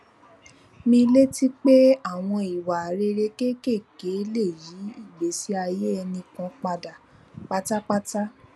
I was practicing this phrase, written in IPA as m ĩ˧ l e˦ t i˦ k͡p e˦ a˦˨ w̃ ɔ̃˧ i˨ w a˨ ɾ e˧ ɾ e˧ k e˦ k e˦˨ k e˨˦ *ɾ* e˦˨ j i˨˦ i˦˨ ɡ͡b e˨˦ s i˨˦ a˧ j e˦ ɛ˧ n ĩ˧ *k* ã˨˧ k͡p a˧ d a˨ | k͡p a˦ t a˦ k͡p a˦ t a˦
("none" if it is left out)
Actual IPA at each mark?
l, k

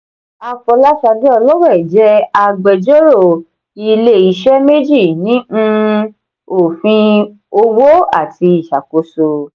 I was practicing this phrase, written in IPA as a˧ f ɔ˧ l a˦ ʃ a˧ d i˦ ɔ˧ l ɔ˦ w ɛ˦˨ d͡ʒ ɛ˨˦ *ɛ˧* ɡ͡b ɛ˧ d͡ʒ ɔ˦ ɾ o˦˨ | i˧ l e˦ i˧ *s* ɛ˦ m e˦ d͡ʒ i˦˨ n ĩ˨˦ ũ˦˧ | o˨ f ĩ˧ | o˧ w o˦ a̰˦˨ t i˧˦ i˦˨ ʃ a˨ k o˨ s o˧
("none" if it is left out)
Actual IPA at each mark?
a˧, ʃ

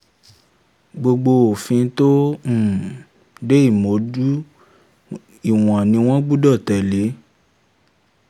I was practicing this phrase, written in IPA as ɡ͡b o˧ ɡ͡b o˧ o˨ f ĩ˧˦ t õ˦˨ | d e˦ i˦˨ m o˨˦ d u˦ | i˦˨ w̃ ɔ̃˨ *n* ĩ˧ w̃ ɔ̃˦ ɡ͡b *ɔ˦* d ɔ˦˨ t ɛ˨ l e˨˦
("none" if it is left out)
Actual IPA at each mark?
n, u˦

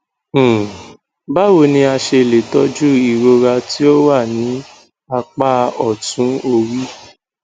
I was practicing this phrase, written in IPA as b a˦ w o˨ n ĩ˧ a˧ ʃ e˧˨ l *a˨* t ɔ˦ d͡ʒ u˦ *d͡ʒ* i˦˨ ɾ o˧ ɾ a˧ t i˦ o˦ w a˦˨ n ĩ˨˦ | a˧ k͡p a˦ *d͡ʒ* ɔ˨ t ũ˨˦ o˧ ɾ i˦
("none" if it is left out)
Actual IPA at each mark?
e˨, none, none

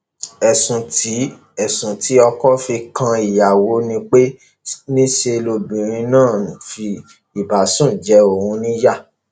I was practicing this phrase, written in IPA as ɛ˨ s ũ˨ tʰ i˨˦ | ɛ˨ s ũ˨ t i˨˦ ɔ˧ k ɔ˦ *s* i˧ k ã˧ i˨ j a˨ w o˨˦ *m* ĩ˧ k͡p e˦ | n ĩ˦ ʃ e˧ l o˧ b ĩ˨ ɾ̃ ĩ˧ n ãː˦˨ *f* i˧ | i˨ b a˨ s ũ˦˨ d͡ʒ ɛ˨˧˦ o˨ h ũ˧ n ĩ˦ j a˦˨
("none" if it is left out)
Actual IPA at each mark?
f, n, f

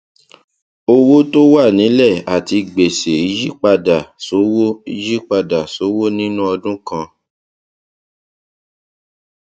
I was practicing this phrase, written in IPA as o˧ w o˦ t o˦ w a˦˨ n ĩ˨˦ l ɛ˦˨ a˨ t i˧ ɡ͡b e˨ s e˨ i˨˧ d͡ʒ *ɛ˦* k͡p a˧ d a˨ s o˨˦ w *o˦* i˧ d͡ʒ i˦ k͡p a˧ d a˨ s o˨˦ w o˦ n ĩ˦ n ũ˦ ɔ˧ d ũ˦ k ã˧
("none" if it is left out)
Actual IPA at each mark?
i˦, o˦

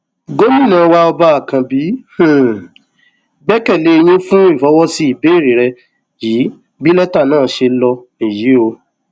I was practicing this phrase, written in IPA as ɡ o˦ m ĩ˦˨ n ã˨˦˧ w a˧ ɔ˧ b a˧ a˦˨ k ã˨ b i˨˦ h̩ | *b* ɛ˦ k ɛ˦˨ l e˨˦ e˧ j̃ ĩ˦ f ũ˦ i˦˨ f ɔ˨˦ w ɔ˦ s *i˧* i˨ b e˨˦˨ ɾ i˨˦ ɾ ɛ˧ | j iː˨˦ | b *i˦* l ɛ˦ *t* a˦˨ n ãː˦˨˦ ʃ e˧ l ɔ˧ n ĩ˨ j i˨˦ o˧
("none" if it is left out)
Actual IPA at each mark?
ɡ͡b, i˧, i˦, t

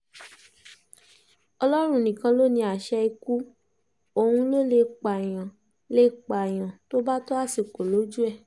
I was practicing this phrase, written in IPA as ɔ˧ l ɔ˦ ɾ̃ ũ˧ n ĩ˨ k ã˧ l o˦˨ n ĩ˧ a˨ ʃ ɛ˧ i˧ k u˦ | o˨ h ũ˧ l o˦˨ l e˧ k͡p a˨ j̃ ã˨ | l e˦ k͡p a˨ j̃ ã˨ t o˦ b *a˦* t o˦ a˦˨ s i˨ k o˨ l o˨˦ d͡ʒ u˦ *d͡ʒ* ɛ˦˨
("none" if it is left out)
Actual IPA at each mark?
a˦, none

